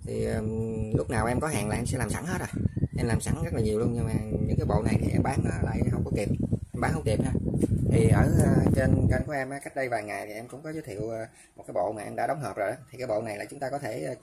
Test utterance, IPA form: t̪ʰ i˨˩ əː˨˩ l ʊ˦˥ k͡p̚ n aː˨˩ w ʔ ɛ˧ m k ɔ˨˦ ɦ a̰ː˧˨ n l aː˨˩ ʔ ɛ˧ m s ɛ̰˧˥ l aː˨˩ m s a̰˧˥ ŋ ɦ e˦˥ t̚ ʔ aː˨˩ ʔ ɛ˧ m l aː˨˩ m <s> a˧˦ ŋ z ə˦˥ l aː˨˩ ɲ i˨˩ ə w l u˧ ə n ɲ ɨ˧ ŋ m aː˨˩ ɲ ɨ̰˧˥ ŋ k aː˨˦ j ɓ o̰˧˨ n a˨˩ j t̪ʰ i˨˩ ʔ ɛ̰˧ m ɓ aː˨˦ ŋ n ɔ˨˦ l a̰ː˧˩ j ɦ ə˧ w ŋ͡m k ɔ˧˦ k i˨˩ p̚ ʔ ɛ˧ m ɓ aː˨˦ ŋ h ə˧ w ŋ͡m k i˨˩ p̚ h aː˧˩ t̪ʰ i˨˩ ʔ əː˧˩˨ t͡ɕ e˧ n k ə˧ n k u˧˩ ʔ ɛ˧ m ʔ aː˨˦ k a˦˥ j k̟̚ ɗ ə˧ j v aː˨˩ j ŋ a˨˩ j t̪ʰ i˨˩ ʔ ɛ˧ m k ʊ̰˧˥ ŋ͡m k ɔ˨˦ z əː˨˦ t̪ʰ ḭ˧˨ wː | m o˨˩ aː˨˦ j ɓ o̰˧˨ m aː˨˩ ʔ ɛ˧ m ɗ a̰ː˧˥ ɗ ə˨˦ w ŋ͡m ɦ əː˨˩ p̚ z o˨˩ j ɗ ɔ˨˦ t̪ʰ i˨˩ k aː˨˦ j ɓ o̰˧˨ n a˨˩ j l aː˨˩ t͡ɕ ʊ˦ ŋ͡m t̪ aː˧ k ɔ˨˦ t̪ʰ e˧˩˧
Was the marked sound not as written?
no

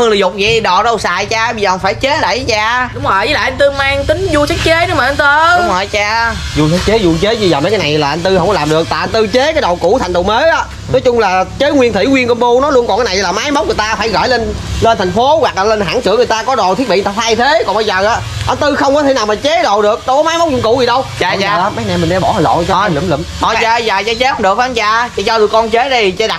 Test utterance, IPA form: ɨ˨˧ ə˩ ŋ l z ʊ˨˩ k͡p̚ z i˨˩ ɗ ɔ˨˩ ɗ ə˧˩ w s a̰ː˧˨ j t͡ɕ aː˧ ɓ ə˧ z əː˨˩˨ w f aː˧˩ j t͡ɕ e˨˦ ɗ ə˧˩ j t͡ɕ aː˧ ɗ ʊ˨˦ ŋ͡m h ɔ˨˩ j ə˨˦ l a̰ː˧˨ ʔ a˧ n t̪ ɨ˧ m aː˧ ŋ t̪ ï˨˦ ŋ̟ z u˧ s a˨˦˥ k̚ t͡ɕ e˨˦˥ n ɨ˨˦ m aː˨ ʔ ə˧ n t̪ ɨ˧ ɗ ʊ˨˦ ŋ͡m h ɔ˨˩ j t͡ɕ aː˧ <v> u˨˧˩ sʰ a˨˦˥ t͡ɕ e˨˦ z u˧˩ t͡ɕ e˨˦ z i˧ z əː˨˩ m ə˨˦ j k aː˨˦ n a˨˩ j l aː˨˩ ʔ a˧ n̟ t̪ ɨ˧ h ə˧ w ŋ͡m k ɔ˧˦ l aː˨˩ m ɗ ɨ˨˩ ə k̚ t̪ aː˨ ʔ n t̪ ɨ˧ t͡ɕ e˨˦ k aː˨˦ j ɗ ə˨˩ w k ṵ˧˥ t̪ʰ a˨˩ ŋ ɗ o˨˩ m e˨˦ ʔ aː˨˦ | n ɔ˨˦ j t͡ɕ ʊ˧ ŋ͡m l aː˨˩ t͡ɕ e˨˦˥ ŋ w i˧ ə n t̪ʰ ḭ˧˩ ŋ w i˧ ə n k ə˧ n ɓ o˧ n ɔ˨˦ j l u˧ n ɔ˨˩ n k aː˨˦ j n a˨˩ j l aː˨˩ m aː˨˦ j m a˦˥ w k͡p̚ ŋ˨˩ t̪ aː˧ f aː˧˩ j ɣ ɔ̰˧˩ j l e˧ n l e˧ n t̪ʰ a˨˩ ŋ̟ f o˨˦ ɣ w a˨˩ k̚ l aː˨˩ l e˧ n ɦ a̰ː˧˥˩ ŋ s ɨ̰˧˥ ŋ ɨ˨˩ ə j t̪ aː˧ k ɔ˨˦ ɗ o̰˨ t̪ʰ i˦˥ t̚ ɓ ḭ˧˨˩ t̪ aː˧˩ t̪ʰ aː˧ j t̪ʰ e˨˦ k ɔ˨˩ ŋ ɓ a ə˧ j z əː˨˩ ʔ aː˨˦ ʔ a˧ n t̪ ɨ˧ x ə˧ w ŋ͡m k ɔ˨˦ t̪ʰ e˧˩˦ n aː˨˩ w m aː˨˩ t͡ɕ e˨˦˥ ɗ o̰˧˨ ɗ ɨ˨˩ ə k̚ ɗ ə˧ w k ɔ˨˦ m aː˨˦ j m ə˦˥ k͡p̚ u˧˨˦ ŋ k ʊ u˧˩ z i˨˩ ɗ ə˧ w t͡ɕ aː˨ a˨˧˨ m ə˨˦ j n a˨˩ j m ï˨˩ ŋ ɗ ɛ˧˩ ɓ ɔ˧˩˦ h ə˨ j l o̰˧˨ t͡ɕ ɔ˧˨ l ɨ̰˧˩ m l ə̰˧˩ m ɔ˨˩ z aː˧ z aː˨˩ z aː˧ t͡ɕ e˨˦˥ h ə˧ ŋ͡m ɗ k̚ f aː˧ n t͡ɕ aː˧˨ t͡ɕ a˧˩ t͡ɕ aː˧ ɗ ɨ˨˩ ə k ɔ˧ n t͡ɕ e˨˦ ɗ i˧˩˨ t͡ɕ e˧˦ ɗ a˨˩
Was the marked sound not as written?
yes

